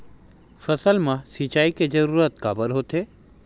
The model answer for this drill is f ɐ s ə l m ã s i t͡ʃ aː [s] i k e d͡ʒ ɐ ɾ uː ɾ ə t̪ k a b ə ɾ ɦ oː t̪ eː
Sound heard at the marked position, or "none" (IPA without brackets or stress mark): none